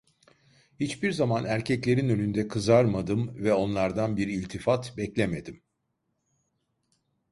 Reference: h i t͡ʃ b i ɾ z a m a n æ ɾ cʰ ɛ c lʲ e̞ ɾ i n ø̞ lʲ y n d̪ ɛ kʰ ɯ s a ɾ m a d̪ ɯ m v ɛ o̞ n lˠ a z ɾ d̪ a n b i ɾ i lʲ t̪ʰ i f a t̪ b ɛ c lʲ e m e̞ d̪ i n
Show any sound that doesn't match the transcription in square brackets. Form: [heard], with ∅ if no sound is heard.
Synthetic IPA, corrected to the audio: h i t͡ʃ b i ɾ z a m a n æ ɾ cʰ ɛ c lʲ e̞ ɾ i n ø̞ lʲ y n d̪ ɛ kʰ ɯ [z] a ɾ m a d̪ ɯ m v ɛ o̞ n lˠ a [∅] ɾ d̪ a n b i ɾ i lʲ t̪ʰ i f a t̪ b ɛ c lʲ e m e̞ d̪ i [m]